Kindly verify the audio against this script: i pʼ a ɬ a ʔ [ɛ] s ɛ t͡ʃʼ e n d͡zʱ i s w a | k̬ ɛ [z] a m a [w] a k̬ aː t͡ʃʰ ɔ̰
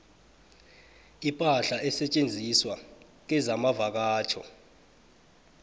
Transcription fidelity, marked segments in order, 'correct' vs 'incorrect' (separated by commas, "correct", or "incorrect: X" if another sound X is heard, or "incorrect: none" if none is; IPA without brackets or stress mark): correct, correct, incorrect: v